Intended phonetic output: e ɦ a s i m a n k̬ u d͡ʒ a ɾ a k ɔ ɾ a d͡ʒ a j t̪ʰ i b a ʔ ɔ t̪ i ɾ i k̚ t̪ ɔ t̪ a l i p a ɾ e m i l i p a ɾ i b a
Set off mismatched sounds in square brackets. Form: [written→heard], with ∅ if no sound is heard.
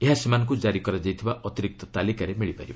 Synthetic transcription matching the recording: e ɦ a s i m a n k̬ u d͡ʒ a ɾ [a→i] k ɔ ɾ a d͡ʒ a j t̪ʰ i b a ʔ ɔ t̪ i ɾ i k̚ t̪ ɔ t̪ a l i [p→k] a ɾ e m i [l→ɭ] i p a ɾ i b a